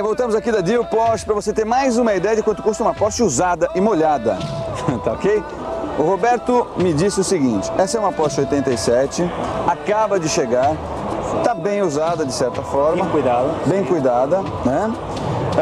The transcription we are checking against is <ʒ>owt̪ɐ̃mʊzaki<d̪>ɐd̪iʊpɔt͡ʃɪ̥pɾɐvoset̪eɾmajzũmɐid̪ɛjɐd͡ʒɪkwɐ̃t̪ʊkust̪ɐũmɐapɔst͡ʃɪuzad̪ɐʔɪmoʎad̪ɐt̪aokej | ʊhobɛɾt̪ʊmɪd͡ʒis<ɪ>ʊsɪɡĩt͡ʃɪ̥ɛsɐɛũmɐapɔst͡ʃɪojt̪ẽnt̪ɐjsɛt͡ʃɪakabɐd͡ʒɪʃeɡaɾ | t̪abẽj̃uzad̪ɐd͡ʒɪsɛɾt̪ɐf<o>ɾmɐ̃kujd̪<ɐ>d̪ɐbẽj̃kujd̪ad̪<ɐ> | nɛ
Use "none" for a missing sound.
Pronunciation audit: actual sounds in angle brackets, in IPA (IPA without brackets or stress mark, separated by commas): v, d̪, ɪ, ɔ, a, ɐ